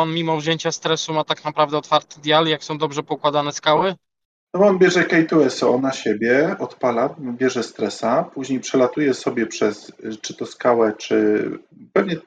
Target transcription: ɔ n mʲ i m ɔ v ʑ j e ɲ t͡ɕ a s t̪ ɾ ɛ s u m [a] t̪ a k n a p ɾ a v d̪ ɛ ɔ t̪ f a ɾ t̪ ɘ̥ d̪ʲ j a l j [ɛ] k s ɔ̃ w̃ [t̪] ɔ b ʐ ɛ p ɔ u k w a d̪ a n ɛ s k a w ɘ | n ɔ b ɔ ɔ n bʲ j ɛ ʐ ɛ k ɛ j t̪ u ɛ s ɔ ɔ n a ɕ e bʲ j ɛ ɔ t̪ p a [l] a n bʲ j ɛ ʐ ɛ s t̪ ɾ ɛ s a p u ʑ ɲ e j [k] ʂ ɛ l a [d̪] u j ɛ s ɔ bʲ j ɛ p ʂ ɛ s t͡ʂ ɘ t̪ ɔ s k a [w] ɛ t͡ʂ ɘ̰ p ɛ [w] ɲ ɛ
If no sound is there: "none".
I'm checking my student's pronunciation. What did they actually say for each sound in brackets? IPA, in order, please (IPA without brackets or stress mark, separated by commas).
a, a, d̪, l, p, t̪, w, v